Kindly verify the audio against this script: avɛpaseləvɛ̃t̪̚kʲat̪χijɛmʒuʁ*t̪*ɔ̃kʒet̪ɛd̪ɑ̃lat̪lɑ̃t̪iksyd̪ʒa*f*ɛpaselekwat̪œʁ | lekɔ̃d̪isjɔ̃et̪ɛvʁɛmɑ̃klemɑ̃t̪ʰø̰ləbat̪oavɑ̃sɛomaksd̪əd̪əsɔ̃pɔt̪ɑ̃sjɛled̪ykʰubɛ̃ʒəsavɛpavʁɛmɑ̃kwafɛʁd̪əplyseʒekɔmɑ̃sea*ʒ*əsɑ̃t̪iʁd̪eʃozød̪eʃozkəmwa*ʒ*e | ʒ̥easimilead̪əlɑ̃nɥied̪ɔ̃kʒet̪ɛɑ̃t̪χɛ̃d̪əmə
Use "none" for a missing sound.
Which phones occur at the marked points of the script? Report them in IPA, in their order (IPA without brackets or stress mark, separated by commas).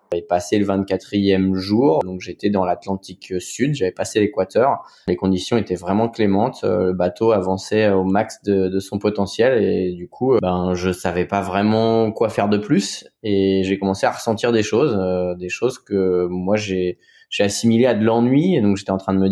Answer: d̪, v, ʁ, ʒ